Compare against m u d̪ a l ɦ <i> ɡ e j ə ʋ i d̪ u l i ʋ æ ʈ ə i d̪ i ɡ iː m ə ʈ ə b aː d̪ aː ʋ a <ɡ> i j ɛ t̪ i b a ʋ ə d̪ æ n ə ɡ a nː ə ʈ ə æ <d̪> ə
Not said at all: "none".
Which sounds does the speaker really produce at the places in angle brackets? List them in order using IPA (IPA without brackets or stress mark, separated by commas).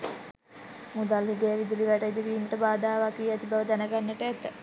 i, k, t̪